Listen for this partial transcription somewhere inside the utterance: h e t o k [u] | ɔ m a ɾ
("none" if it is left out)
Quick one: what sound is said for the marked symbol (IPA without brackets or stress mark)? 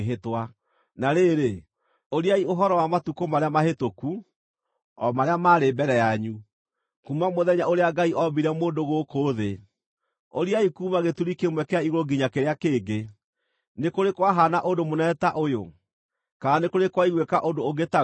u